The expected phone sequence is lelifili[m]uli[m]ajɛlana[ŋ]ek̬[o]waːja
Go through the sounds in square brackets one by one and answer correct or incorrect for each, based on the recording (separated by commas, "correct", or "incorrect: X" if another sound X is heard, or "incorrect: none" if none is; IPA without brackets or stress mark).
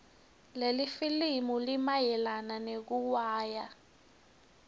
correct, correct, incorrect: n, incorrect: u